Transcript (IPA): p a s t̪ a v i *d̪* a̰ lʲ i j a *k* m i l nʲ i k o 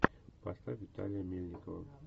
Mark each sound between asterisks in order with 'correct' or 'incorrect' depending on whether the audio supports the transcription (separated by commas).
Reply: incorrect, incorrect